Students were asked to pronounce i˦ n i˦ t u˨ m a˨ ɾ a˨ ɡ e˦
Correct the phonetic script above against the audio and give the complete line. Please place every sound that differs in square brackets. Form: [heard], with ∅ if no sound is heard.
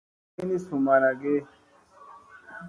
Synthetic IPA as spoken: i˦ n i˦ [s] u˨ m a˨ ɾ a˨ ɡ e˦